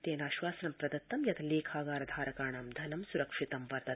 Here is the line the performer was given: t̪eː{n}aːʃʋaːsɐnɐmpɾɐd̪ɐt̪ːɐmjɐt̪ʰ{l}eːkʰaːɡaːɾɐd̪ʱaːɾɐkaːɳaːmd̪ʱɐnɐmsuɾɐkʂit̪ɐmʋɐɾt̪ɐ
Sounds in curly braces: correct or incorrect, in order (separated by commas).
correct, correct